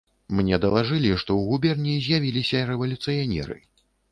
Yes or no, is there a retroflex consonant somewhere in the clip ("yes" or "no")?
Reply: yes